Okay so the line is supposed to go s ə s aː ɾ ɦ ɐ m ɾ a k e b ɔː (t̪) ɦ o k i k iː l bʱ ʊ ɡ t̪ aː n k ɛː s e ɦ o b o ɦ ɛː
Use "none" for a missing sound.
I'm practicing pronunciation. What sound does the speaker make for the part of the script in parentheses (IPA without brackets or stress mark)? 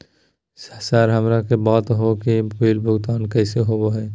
t̪